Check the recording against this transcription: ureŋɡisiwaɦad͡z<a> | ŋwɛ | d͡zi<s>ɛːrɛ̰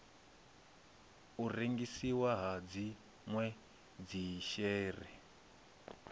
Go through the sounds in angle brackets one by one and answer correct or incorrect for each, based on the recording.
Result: incorrect: i, incorrect: ʃ

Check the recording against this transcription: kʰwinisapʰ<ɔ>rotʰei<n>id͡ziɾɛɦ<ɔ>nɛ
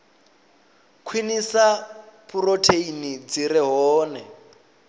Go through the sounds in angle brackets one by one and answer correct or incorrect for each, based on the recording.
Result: incorrect: u, correct, incorrect: ɔː

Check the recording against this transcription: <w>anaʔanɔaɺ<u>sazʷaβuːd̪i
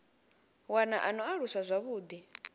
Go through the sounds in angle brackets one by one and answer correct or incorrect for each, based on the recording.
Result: correct, correct

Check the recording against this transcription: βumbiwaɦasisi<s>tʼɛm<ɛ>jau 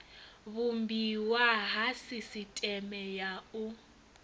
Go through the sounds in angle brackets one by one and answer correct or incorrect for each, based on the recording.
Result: incorrect: none, correct

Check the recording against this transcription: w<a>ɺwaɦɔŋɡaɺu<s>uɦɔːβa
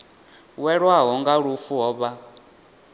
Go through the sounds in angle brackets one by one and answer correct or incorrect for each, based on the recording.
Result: incorrect: ɛ, incorrect: f

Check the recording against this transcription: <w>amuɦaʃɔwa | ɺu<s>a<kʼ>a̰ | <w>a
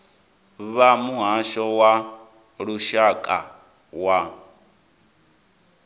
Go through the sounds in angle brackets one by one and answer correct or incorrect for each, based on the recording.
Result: incorrect: β, incorrect: ʃ, correct, correct

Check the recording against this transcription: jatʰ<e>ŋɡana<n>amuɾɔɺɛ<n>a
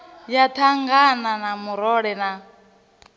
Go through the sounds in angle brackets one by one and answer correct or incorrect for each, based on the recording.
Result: incorrect: a, correct, correct

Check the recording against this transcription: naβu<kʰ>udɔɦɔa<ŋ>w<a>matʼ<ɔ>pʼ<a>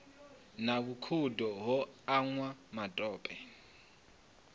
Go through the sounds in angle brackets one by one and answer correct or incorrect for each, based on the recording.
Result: correct, correct, correct, incorrect: ɔː, incorrect: ɛ

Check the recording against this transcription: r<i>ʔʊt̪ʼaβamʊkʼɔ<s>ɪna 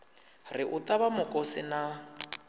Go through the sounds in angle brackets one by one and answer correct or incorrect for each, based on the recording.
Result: incorrect: ɪ, correct

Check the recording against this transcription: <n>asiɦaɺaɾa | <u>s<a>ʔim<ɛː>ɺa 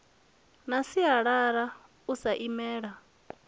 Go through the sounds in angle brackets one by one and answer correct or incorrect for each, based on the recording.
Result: correct, correct, correct, correct

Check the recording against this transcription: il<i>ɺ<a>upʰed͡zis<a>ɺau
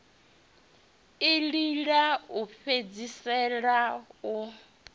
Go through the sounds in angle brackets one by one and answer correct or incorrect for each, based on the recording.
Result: correct, correct, incorrect: ɛ

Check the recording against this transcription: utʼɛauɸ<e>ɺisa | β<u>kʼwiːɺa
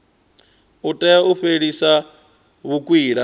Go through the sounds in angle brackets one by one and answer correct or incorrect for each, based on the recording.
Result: correct, correct

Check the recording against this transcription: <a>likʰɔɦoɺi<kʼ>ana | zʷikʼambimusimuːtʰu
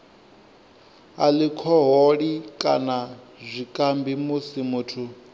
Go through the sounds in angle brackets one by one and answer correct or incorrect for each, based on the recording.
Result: correct, correct

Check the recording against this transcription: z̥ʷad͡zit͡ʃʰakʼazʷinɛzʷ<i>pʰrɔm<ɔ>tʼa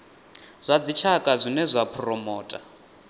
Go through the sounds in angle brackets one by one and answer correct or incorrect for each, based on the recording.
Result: incorrect: a, incorrect: ɔː

